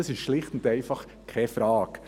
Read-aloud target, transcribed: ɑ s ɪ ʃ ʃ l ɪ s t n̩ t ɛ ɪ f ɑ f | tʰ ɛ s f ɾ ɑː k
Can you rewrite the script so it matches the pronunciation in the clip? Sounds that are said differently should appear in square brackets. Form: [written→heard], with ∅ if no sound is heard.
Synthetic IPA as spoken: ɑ s ɪ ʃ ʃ l ɪ [s→χ] t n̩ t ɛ ɪ f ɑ [f→χ] | [tʰ→kʰ] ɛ [s→∅] f ɾ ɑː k